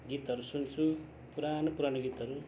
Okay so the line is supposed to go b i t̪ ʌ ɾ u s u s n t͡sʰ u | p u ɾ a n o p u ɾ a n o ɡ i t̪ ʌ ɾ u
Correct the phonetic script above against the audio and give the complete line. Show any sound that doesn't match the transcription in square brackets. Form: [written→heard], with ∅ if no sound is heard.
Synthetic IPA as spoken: [b→ɡ] i t̪ ʌ ɾ u s u [s→∅] n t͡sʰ u | p u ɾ a n o p u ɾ a n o ɡ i t̪ ʌ ɾ u